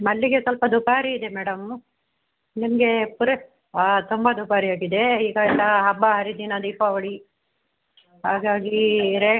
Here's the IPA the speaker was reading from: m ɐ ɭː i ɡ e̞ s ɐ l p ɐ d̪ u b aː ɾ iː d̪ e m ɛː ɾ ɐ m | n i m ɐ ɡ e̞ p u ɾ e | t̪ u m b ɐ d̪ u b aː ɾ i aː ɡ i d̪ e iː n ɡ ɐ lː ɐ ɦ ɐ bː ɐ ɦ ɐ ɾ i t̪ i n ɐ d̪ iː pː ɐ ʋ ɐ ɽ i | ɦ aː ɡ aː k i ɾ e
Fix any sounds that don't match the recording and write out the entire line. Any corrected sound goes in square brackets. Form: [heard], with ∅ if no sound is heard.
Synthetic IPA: m ɐ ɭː i ɡ e̞ s ɐ l p ɐ d̪ u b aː ɾ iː d̪ e m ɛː [ɽ] ɐ m | n i m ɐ ɡ e̞ p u ɾ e | t̪ u m b ɐ d̪ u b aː ɾ i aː ɡ i d̪ e iː [∅] ɡ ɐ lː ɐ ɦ ɐ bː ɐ ɦ ɐ ɾ i [d̪] i n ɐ d̪ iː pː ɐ ʋ ɐ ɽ i | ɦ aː ɡ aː [ɡ] i ɾ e